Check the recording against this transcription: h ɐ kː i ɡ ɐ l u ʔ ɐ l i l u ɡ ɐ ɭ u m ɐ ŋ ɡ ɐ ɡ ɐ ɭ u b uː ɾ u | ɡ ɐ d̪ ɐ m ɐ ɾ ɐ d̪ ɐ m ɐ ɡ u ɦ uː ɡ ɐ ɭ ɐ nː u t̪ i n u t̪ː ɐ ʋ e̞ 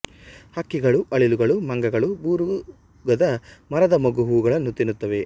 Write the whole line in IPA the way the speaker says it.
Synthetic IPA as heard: h ɐ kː i ɡ ɐ ɭ u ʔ ɐ ɭ i l u ɡ ɐ ɭ u m ɐ ŋ ɡ ɐ ɡ ɐ ɭ u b uː ɾ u | ɡ ɐ d̪ ɐ m ɐ ɾ ɐ d̪ ɐ m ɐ ɡ u ɦ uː ɡ ɐ ɭ ɐ nː u t̪ i n u t̪ː ɐ ʋ e̞

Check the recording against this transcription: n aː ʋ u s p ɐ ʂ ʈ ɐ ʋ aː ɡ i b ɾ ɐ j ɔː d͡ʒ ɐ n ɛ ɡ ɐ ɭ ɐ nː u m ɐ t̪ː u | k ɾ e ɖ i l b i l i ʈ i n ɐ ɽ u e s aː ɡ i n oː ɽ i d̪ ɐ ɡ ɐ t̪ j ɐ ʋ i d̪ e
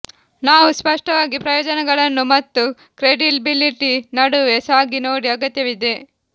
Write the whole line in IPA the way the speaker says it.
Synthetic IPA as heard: n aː ʋ u s p ɐ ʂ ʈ ɐ ʋ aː ɡ i p ɾ ɐ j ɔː d͡ʒ ɐ n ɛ ɡ ɐ ɭ ɐ nː u m ɐ t̪ː u | k ɾ e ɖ i l b i l i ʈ i n ɐ ɽ u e s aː ɡ i n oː ɽ i ɐ ɡ ɐ t̪ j ɐ ʋ i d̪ e

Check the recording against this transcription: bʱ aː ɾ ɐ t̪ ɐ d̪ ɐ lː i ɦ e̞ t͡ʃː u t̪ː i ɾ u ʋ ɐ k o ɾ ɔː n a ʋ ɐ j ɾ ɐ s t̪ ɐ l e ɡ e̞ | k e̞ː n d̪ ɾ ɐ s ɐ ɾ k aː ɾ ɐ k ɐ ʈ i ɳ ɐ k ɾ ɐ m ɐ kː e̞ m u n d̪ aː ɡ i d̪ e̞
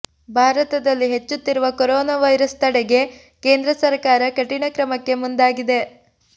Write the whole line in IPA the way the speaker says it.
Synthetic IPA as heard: bʱ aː ɾ ɐ t̪ ɐ d̪ ɐ lː i ɦ e̞ t͡ʃː u t̪ː i ɾ u ʋ ɐ k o ɾ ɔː n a ʋ ɐ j ɾ ɐ s t̪ ɐ ɽ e ɡ e̞ | k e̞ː n d̪ ɾ ɐ s ɐ ɾ k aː ɾ ɐ k ɐ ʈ i ɳ ɐ k ɾ ɐ m ɐ kː e̞ m u n d̪ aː ɡ i d̪ e̞

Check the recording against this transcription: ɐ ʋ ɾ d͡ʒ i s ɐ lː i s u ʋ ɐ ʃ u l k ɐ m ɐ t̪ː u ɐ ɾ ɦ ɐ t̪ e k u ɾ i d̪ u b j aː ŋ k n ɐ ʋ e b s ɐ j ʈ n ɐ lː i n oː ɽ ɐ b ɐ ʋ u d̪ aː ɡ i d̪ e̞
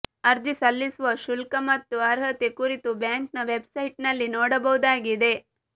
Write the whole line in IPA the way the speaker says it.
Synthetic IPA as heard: ɐ ɾ d͡ʒ i s ɐ lː i s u ʋ ɐ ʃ u l k ɐ m ɐ t̪ː u ɐ ɾ ɦ ɐ t̪ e k u ɾ i t̪ u b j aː ŋ k n ɐ ʋ e b s ɐ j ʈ n ɐ lː i n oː ɽ ɐ b ɐ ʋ u d̪ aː ɡ i d̪ e̞

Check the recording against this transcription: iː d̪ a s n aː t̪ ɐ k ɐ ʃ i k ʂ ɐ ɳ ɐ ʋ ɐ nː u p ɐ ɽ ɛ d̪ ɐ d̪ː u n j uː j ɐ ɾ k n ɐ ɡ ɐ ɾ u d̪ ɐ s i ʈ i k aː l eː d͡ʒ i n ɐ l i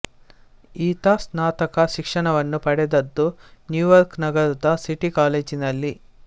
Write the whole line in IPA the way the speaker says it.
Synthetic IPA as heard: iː t̪ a s n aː t̪ ɐ k ɐ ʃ i k ʂ ɐ ɳ ɐ ʋ ɐ nː u p ɐ ɽ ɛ d̪ ɐ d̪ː u n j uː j ɐ ɾ k n ɐ ɡ ɐ ɾ u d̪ ɐ s i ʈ i k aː l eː d͡ʒ i n ɐ lː i

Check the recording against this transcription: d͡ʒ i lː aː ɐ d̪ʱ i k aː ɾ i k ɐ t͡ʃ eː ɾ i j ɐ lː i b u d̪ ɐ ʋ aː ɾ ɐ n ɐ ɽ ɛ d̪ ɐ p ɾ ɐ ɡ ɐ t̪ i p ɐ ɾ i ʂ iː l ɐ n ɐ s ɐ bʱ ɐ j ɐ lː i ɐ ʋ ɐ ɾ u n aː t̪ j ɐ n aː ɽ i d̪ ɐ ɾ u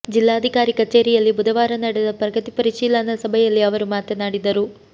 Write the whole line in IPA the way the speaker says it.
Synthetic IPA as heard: d͡ʒ i lː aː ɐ d̪ʱ i k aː ɾ i k ɐ t͡ʃ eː ɾ i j ɐ lː i b u d̪ ɐ ʋ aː ɾ ɐ n ɐ ɽ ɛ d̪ ɐ p ɾ ɐ ɡ ɐ t̪ i p ɐ ɾ i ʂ iː l ɐ n ɐ s ɐ bʱ ɐ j ɐ lː i ɐ ʋ ɐ ɾ u m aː t̪ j ɐ n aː ɽ i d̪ ɐ ɾ u

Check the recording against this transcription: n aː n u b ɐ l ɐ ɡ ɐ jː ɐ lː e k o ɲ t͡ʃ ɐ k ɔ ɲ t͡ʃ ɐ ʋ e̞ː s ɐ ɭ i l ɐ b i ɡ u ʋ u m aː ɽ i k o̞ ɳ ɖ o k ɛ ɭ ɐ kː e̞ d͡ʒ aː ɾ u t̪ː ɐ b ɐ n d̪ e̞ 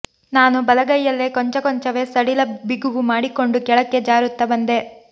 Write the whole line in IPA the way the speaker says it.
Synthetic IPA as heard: n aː n u b ɐ l ɐ ɡ ɐ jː ɐ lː e k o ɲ t͡ʃ ɐ k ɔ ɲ t͡ʃ ɐ ʋ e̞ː s ɐ ɽ i l ɐ b i ɡ u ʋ u m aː ɽ i k o̞ ɳ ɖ u k ɛ ɭ ɐ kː e̞ d͡ʒ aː ɾ u t̪ː ɐ b ɐ n d̪ e̞

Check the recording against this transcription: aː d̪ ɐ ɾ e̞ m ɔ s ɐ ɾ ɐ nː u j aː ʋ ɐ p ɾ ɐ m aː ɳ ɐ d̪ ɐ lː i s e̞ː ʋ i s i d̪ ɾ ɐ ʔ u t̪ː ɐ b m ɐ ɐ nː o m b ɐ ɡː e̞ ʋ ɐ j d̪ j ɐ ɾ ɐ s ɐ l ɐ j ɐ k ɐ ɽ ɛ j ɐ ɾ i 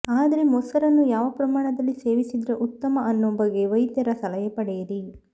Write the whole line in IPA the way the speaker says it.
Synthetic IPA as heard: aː d̪ ɐ ɾ e̞ m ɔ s ɐ ɾ ɐ nː u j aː ʋ ɐ p ɾ ɐ m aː ɳ ɐ d̪ ɐ lː i s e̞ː ʋ i s i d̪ ɾ ɐ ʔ u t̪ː ɐ m ɐ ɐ nː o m b ɐ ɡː e̞ ʋ ɐ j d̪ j ɐ ɾ ɐ s ɐ l ɐ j ɐ p ɐ ɽ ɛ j ɐ ɾ i

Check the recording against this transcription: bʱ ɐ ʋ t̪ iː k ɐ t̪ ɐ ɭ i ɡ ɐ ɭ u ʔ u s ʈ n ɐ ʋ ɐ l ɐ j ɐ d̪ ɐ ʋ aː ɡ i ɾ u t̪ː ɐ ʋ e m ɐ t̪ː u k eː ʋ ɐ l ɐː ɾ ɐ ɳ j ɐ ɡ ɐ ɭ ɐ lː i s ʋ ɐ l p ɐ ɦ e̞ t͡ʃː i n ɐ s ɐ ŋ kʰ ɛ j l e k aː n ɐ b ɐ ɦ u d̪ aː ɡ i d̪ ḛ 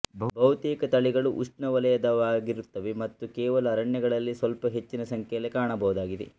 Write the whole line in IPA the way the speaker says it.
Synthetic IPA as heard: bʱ ɐ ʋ t̪ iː k ɐ t̪ ɐ ɭ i ɡ ɐ ɭ u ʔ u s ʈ n ɐ ʋ ɐ l ɐ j ɐ d̪ ɐ ʋ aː ɡ i ɾ u t̪ː ɐ ʋ e m ɐ t̪ː u k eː ʋ ɐ l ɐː ɾ ɐ ɳ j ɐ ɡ ɐ ɭ ɐ lː i s ʋ ɐ l p ɐ ɦ e̞ t͡ʃː i n ɐ s ɐ ŋ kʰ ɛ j l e k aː ɳ ɐ b ɐ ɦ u d̪ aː ɡ i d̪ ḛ

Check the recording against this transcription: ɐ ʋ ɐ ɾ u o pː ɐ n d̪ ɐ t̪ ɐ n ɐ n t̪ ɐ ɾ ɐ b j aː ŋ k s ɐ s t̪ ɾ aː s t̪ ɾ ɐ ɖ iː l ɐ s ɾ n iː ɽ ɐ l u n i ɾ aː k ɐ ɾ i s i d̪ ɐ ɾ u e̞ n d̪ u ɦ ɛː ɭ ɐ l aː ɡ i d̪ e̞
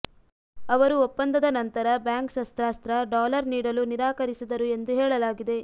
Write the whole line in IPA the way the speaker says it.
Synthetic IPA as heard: ɐ ʋ ɐ ɾ u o pː ɐ n d̪ ɐ d̪ ɐ n ɐ n t̪ ɐ ɾ ɐ b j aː ŋ k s ɐ s t̪ ɾ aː s t̪ ɾ ɐ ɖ aː l ɐ ɾ n iː ɽ ɐ l u n i ɾ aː k ɐ ɾ i s i d̪ ɐ ɾ u e̞ n d̪ u ɦ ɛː ɭ ɐ l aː ɡ i d̪ e̞

